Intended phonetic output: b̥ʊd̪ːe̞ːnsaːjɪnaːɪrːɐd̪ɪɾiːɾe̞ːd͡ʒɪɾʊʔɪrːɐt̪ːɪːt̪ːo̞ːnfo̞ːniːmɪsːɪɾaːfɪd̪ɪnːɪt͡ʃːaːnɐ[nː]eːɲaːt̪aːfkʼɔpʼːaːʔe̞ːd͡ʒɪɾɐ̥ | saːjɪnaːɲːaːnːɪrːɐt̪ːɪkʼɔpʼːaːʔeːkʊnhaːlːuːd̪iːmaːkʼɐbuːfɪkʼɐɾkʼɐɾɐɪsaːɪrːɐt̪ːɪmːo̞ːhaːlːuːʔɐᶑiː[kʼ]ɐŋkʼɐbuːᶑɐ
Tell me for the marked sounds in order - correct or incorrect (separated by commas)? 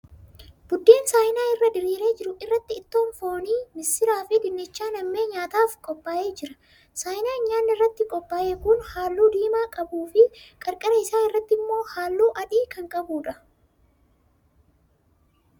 incorrect, incorrect